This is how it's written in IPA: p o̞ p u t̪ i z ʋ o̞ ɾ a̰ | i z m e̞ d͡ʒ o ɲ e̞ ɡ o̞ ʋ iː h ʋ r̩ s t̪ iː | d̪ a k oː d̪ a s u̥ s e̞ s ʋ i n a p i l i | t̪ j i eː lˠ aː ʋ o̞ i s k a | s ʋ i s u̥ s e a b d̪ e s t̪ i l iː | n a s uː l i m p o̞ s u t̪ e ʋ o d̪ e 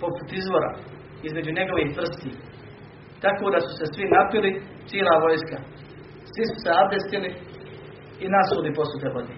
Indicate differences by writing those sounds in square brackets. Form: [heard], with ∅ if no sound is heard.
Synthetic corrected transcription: p o̞ p u t̪ i z ʋ o̞ ɾ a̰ | i z m e̞ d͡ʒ [u] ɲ e̞ ɡ o̞ ʋ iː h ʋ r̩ s t̪ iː | [t̪] a k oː d̪ a s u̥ s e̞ s ʋ i n a p i l i | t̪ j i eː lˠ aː ʋ o̞ [j] s k a | s ʋ i s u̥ s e a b d̪ e s t̪ i l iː | n a s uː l i [∅] p o̞ s u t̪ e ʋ o d̪ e